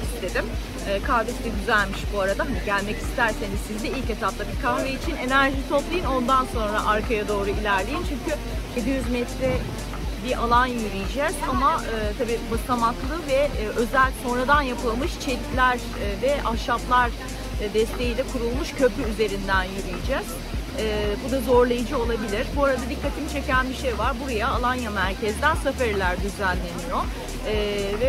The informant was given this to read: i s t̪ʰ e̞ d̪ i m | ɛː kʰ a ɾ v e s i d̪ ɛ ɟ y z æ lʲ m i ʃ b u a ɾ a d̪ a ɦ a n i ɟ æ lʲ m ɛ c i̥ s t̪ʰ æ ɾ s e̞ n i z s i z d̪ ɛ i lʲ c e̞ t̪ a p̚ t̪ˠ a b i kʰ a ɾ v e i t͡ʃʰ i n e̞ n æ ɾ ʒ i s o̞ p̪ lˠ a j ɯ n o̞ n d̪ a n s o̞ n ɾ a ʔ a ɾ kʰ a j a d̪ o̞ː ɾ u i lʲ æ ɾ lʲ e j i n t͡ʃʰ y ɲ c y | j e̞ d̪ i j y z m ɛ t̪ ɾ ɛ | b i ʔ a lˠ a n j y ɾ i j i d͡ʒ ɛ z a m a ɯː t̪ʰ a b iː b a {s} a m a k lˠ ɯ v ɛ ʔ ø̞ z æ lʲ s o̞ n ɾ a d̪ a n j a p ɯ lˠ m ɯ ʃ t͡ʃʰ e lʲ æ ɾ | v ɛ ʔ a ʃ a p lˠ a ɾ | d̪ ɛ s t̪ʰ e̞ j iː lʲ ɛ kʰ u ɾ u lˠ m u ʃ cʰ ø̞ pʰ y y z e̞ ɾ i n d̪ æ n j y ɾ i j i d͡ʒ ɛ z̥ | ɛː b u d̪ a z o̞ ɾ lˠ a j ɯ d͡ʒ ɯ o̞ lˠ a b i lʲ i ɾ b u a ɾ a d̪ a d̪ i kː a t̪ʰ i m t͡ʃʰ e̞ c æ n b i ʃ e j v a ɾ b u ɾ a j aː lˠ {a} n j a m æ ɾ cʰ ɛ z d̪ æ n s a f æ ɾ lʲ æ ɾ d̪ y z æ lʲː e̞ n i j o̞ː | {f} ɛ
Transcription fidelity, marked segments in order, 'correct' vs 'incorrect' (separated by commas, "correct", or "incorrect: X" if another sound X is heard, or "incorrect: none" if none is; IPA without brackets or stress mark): correct, correct, incorrect: v